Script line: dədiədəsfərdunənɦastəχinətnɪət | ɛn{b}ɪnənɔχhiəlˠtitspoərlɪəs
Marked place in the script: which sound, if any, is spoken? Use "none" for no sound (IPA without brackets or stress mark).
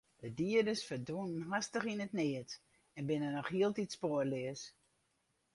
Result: b